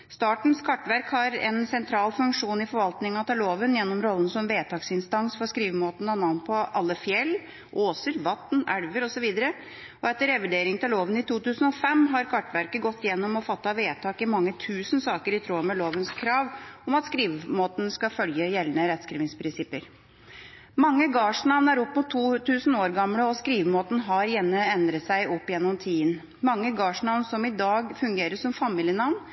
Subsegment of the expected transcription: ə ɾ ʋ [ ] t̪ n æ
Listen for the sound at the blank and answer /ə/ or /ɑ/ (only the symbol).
ɑ